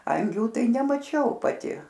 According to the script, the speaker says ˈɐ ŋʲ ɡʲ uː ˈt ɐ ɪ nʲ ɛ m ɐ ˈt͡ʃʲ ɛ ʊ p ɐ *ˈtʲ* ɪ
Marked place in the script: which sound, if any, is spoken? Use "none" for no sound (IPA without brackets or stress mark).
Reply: tʲ